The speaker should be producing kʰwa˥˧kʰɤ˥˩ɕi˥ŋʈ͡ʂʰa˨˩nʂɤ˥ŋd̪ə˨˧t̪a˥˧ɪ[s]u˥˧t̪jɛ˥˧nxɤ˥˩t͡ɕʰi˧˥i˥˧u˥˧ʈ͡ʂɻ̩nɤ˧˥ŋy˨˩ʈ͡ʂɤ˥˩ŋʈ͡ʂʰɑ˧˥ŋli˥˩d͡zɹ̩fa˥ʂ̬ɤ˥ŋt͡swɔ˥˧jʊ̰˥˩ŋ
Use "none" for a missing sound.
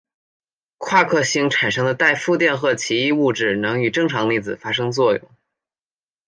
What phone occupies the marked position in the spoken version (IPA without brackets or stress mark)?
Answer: f